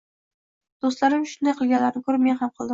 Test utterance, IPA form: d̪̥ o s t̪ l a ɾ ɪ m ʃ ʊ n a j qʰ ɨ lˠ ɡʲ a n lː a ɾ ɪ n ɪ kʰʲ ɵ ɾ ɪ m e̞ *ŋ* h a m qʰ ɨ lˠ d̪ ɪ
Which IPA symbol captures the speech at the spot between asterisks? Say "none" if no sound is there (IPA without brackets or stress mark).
n